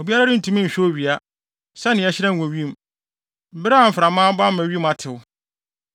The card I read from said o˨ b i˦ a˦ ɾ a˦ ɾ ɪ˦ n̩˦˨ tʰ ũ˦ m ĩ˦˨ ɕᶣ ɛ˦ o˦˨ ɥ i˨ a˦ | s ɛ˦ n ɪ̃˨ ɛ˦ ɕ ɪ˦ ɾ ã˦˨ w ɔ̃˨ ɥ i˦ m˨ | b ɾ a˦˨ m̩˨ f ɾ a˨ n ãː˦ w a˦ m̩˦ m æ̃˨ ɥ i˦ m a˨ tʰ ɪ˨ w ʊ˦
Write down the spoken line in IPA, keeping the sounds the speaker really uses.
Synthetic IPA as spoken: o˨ b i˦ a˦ ɾ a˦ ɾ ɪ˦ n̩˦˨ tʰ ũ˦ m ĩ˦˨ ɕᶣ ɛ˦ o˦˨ ɥ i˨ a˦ | s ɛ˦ n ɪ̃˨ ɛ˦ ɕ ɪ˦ ɾ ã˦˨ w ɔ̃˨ ɥ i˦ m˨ | b ɾ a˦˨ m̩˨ f ɾ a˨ m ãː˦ b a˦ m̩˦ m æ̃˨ ɥ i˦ m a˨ tʰ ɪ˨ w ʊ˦